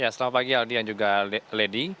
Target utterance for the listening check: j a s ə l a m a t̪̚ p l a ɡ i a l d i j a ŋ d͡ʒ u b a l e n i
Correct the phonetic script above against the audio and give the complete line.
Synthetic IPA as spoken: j a s ə l a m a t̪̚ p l a ɡ i a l d i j a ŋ d͡ʒ u ɡ a l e d i